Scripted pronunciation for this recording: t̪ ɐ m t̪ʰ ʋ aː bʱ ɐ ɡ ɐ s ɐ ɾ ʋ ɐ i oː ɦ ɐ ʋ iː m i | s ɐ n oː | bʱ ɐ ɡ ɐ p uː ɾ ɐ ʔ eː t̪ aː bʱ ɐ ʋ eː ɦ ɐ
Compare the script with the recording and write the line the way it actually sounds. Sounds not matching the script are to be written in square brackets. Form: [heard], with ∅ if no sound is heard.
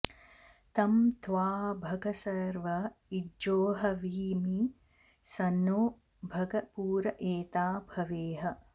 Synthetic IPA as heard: t̪ ɐ m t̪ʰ ʋ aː bʱ ɐ ɡ ɐ s ɐ ɾ ʋ ɐ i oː ɦ ɐ ʋ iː m i | s ɐ n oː | bʱ ɐ ɡ ɐ p uː ɾ ɐ ʔ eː t̪ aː bʱ ɐ ʋ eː ɦ ɐ